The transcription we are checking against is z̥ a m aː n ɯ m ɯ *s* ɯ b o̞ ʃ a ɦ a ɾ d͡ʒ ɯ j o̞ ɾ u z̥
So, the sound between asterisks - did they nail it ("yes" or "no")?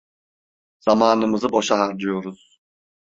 no